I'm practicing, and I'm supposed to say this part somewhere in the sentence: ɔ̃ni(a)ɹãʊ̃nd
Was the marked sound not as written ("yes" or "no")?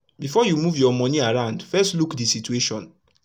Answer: no